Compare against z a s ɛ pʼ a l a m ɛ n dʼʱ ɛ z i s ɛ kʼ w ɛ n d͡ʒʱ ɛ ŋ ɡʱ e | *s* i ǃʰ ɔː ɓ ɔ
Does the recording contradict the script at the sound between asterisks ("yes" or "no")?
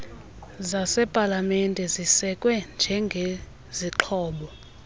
yes